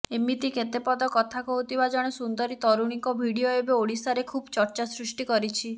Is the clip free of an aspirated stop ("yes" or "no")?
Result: no